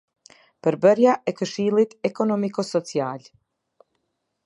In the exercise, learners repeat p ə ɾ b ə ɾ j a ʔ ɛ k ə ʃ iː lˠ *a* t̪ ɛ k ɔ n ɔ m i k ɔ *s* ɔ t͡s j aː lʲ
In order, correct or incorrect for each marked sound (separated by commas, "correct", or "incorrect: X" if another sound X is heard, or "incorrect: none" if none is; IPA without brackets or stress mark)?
incorrect: i, correct